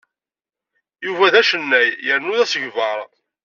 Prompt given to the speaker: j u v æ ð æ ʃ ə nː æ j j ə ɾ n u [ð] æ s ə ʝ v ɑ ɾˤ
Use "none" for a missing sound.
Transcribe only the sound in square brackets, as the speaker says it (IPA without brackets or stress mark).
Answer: ð